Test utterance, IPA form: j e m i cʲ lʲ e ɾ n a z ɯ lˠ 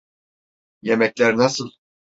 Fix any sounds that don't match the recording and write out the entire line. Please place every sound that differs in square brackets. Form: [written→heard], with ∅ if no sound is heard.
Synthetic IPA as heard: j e m [i→ɛ] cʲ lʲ [e→æ] ɾ n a [z→s] ɯ lˠ